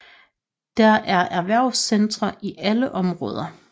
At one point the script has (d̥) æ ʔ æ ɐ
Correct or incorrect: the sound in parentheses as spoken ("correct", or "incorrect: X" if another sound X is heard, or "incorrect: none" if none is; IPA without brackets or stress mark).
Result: correct